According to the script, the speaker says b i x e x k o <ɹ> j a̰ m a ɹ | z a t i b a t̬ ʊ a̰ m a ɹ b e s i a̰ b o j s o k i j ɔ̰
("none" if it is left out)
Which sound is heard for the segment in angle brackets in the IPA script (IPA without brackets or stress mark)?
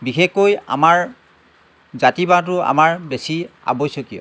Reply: none